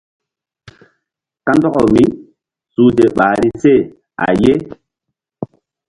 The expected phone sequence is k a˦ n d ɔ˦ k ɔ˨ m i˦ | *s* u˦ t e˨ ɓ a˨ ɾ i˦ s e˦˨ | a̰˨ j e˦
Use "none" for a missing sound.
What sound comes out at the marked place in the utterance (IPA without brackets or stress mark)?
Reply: s